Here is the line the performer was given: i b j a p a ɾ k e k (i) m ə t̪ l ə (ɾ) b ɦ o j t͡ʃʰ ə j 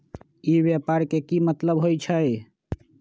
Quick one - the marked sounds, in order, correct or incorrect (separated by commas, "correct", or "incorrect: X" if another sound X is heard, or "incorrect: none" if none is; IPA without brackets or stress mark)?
correct, incorrect: none